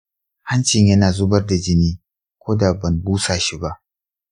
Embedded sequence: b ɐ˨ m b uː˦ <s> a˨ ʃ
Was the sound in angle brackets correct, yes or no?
yes